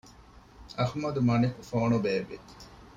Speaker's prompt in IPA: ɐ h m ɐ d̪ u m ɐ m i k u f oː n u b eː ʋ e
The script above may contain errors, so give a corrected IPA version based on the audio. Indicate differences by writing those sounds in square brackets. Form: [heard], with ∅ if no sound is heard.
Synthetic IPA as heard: ɐ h m ɐ d̪ u m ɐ [n] i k u f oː n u b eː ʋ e